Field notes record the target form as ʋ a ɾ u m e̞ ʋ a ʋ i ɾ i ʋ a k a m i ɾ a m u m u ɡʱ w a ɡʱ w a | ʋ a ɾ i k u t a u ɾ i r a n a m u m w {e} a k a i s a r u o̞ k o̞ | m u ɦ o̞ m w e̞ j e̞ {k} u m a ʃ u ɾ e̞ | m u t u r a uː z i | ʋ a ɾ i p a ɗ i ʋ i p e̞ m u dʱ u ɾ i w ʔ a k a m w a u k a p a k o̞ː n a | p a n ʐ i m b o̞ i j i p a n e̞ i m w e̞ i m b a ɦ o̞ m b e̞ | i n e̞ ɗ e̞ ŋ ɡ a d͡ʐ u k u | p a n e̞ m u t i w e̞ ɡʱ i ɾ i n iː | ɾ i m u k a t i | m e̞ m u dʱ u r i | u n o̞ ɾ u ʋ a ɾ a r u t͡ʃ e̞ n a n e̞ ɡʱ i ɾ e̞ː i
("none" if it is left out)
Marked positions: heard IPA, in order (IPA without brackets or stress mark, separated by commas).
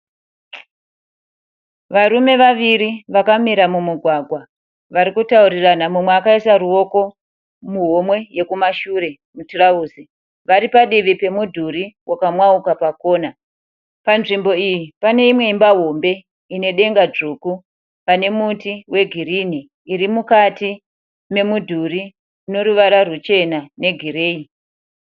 e, k